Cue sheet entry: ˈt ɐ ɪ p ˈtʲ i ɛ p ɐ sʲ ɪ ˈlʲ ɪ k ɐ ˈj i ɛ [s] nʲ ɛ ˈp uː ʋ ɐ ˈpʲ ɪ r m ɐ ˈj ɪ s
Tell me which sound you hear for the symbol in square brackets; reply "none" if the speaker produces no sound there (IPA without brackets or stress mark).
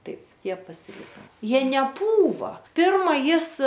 none